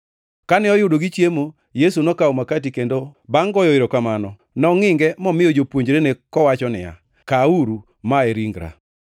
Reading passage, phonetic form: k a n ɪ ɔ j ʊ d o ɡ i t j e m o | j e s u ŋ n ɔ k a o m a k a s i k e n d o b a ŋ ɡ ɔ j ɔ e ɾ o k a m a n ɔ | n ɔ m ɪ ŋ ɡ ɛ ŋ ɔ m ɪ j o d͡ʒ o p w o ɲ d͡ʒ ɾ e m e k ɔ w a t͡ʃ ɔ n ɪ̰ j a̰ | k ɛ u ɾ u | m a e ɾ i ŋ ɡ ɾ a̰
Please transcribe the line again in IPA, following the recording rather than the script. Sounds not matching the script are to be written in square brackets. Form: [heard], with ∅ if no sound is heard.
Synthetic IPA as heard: k a n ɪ ɔ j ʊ d o ɡ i [t͡ʃ] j e m o | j e s u [∅] n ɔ k a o m a k a [t] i k e n d o b a ŋ ɡ ɔ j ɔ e ɾ o k a m a n ɔ | n ɔ [ŋ] ɪ ŋ ɡ ɛ [m] ɔ m ɪ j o d͡ʒ o p w o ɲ d͡ʒ ɾ e [n] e k ɔ w a t͡ʃ ɔ n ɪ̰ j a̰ | k [a] u ɾ u | m a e ɾ i ŋ ɡ ɾ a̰